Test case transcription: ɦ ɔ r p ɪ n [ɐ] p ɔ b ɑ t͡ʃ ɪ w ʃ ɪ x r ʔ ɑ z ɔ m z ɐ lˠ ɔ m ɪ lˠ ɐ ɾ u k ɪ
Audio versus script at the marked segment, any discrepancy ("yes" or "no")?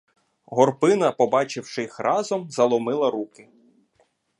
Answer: no